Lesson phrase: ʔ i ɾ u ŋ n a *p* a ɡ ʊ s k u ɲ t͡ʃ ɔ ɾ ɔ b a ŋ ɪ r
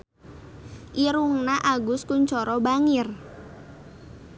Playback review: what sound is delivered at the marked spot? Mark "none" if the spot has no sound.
ʔ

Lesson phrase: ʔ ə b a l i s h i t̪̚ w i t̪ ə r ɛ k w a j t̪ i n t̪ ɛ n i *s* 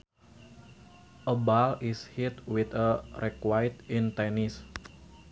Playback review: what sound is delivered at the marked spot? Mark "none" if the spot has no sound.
s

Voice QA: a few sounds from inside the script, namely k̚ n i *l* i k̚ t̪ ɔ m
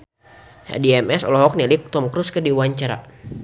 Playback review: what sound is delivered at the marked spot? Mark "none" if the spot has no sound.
l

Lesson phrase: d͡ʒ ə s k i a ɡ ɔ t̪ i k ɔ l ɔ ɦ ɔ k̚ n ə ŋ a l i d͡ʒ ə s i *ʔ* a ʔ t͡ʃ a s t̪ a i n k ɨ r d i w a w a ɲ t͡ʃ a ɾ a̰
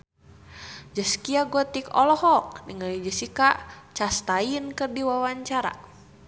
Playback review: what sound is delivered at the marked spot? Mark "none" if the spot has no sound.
k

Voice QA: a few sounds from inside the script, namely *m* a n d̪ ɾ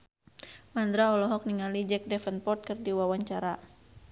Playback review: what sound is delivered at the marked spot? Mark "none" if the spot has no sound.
m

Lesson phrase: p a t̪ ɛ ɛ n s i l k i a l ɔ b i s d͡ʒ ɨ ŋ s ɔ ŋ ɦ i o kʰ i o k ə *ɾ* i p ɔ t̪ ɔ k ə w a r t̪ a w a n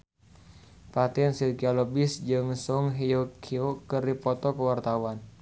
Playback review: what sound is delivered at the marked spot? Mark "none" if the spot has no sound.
r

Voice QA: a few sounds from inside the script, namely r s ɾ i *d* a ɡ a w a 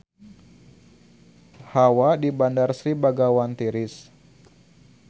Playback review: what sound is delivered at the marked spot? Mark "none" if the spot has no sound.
b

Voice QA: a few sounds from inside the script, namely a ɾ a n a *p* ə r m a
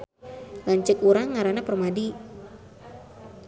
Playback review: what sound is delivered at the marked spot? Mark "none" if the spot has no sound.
p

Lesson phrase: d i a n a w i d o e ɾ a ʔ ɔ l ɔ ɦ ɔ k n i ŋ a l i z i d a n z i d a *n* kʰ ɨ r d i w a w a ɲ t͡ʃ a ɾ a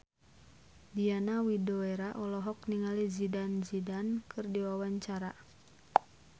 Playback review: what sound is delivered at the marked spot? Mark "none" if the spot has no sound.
n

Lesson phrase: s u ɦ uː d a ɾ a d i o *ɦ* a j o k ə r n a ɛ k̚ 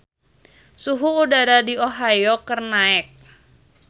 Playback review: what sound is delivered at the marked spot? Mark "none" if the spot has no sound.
ɦ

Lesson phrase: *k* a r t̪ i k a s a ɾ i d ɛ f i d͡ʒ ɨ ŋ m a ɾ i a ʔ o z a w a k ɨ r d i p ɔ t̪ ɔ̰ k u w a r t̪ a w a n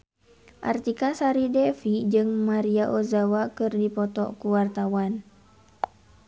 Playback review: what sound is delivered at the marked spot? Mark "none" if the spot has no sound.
ʔ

